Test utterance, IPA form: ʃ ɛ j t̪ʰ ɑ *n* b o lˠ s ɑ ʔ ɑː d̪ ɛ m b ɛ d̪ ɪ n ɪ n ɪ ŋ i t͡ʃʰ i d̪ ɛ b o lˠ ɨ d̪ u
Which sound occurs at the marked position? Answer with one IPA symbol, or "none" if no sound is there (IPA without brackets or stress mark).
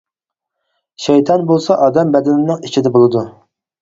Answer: n